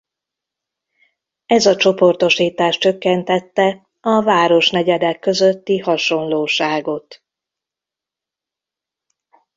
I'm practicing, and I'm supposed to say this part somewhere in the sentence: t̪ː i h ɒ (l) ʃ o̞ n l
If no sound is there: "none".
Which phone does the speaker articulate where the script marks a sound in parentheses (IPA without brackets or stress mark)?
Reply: none